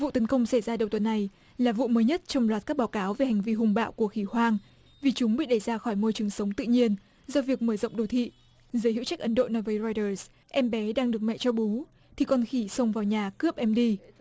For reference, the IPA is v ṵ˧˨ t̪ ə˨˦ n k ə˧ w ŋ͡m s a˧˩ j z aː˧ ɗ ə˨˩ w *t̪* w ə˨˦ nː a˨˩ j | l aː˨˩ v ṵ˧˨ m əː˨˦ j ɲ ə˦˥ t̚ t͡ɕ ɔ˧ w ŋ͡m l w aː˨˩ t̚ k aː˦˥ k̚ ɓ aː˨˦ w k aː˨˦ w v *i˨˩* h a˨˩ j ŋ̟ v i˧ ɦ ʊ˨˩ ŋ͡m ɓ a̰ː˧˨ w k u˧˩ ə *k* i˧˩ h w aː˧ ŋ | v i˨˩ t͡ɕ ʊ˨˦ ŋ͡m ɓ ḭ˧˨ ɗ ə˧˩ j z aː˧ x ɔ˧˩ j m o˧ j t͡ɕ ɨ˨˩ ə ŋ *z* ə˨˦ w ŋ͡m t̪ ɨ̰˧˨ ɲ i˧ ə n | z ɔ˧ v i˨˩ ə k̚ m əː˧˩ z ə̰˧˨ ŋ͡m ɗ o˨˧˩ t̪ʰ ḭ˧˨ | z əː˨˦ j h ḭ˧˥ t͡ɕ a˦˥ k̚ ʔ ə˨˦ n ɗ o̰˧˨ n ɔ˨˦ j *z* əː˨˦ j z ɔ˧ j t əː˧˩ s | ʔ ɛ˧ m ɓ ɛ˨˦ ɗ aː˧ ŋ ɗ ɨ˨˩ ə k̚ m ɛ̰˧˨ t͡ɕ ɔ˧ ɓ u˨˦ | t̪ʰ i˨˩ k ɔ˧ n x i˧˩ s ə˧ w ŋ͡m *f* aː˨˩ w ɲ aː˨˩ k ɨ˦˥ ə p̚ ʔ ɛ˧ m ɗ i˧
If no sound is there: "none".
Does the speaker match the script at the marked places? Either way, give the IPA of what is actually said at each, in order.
t̪, e˨˩, x, s, v, v

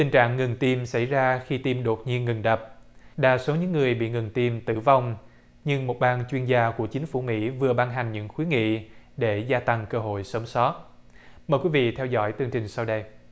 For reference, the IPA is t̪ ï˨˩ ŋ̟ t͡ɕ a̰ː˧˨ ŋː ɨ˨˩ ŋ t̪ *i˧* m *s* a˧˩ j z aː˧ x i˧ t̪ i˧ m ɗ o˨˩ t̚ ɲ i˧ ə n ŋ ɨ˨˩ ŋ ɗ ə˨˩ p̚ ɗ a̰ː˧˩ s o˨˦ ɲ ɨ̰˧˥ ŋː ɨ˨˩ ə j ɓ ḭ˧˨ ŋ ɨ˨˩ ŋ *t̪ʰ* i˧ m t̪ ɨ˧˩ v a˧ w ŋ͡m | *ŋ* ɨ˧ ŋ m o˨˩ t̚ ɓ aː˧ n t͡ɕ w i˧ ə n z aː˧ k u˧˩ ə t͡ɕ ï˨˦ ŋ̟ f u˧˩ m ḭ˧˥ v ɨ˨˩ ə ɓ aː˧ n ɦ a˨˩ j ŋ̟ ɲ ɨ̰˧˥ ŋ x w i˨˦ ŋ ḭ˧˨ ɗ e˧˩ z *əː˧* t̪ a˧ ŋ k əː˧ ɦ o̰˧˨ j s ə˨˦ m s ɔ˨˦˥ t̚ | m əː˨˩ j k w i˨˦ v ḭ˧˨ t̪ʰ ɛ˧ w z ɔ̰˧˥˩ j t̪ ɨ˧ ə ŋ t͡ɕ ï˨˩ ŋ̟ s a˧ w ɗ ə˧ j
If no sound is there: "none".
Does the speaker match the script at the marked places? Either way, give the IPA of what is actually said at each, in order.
i˧, s, t̪, ɲ, aː˧

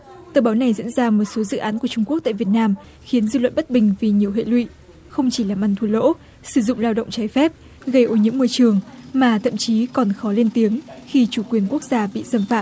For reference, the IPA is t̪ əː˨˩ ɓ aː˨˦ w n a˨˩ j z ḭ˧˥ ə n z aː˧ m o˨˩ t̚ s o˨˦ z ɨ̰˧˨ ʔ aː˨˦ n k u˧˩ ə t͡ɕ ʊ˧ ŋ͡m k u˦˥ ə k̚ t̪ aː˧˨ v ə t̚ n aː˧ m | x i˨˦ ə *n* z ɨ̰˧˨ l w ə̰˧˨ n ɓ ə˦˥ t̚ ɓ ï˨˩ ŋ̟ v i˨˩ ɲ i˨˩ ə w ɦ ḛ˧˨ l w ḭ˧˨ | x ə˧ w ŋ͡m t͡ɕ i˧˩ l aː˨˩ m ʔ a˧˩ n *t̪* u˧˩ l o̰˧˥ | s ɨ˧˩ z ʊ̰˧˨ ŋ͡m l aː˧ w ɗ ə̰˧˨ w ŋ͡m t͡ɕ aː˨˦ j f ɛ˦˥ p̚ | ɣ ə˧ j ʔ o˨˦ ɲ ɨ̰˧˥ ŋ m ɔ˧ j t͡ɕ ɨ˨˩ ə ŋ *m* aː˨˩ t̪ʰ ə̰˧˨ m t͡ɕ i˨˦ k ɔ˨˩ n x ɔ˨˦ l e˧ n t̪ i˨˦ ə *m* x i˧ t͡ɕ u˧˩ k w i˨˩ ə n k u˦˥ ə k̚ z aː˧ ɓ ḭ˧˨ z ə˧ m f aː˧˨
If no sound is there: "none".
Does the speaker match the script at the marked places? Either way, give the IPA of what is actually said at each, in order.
n, t̪ʰ, m, ŋ

